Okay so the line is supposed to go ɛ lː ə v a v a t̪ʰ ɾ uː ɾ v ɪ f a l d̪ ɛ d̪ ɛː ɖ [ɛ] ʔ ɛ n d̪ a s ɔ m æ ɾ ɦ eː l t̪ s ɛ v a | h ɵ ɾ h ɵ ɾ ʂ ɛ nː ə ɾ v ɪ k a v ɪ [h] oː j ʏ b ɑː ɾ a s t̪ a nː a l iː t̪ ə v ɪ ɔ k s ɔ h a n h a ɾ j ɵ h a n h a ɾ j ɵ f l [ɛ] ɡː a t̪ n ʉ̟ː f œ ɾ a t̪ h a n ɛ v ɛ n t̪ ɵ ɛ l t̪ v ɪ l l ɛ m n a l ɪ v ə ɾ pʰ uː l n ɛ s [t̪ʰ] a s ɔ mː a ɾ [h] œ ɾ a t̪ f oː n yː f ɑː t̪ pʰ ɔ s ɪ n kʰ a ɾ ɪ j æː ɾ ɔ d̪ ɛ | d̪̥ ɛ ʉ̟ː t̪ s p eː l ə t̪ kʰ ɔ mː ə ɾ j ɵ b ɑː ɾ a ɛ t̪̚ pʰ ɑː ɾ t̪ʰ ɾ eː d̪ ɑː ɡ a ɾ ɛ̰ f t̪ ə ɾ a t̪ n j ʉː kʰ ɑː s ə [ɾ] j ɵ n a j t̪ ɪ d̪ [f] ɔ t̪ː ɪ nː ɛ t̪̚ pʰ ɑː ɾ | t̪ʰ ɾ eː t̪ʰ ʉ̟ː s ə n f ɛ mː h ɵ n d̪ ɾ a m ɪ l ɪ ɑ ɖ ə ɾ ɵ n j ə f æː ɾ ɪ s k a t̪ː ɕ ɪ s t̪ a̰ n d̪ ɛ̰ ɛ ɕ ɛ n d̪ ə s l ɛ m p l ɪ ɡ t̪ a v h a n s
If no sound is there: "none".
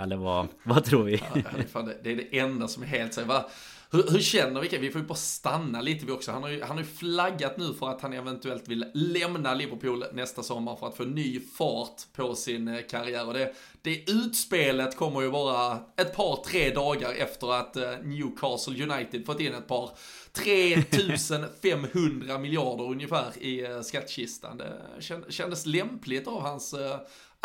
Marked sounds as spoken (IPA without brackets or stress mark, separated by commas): ɛ, f, a, t̪, f, l, f